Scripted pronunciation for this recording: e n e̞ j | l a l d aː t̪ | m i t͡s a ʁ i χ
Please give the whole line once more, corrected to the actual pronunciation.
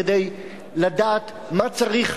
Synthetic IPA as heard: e d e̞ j | l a d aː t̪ | m a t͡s a ʁ i χ

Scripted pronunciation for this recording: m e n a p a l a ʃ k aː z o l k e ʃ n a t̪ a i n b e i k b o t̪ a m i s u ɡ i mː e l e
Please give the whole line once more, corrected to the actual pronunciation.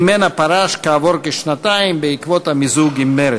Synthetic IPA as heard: m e n a p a ɾ a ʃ k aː v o ɾ k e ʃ n a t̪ a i m b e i k v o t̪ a m i z u ɡ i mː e ɾ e

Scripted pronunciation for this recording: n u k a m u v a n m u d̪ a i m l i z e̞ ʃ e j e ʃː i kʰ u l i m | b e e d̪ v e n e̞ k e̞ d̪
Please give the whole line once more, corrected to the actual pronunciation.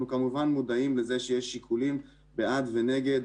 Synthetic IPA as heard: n u k a m u v a n m u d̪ a i m l e z e̞ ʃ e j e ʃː i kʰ u l i m | b e a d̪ v e n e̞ ɡ e̞ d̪

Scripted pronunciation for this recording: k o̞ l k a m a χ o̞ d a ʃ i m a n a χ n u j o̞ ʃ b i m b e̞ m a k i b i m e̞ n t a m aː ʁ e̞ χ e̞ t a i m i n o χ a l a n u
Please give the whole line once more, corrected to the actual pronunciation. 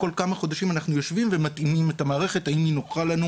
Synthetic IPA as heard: k o̞ l k a m a χ o̞ d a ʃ i m a n a χ n u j o̞ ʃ v i m v e̞ m a t i m i m e̞ t a m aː ʁ e̞ χ e̞ t a i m i n o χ a l a n u

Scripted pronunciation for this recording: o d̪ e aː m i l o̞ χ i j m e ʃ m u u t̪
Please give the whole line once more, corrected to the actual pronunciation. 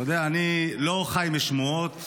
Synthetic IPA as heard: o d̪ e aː n i l o̞ χ a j m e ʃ m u o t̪

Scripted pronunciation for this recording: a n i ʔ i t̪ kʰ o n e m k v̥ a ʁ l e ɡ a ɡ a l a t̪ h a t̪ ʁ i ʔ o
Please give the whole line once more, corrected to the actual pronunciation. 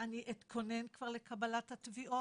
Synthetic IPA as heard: a n i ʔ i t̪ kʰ o n e n k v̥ a ʁ l e k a b a l a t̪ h a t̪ v i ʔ o

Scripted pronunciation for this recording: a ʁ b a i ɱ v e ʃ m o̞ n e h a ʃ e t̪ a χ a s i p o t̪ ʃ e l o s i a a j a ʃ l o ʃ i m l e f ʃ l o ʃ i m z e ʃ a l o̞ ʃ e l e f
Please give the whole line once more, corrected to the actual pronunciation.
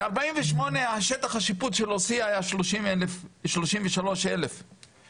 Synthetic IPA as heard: a ʁ b a i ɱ v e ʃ m o̞ n e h a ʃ e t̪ a χ a ʃ i p u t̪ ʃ e l o s i a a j a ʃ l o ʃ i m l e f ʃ l o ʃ i m v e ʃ a l o̞ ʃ e l e f

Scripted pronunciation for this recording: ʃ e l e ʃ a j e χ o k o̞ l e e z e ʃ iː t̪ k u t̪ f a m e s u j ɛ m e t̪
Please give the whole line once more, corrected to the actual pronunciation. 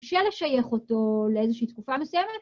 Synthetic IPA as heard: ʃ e l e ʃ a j e χ o t o̞ l e e z e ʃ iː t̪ k u f a m e s u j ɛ m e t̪

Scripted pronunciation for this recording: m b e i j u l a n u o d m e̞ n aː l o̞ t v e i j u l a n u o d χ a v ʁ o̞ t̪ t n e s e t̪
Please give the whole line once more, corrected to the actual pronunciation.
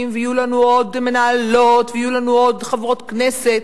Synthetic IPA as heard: m v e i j u l a n u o d m e̞ n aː l o̞ t v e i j u l a n u o d χ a v ʁ o̞ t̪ k n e s e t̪

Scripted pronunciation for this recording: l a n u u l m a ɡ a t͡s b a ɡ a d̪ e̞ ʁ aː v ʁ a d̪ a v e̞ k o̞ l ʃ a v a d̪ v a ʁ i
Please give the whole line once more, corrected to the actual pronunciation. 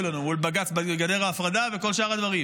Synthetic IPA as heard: l a n u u l b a ɡ a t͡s b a ɡ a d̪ e̞ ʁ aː f ʁ a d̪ a v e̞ k o̞ l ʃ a ʁ a d̪ v a ʁ i

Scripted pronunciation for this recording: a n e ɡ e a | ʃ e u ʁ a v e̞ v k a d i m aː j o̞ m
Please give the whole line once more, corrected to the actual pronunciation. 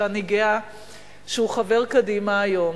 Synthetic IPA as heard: a n i ɡ e a | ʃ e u χ a v e̞ ʁ k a d i m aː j o̞ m

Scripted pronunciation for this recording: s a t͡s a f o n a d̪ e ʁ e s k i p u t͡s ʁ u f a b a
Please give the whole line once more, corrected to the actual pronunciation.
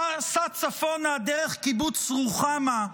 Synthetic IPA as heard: s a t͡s a f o n a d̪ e ʁ e χ k i b u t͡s ʁ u χ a m a

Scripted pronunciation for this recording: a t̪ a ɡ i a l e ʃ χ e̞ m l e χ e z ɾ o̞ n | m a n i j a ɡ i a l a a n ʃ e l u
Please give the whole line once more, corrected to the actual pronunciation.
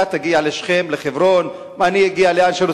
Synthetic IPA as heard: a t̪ a ɡ i a l e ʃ χ e̞ m l e χ e v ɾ o̞ n | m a n i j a ɡ i a l e a n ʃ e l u

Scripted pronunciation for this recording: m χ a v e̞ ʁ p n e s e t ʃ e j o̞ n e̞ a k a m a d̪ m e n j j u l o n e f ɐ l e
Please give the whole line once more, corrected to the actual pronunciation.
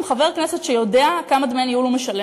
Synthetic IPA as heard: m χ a v e̞ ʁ k n e s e t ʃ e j o̞ d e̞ a k a m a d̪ m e n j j u l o m e ʃ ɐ l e

